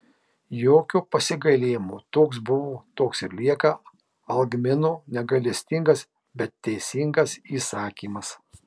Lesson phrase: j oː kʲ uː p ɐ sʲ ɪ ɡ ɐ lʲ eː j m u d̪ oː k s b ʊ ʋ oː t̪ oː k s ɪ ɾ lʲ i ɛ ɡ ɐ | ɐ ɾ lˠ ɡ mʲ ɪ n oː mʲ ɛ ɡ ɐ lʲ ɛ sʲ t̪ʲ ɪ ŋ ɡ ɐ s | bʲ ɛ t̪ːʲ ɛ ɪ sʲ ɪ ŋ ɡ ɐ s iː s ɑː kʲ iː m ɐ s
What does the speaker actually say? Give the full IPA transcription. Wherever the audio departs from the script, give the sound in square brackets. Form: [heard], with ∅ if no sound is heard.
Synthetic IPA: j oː kʲ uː p ɐ sʲ ɪ ɡ ɐ lʲ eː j m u [t̪] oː k s b ʊ ʋ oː t̪ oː k s ɪ ɾ lʲ i ɛ [k] ɐ | ɐ [∅] lˠ ɡ mʲ ɪ n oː [nʲ] ɛ ɡ ɐ lʲ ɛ sʲ t̪ʲ ɪ ŋ ɡ ɐ s | bʲ ɛ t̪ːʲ ɛ ɪ sʲ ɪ ŋ ɡ ɐ s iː s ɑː kʲ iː m ɐ s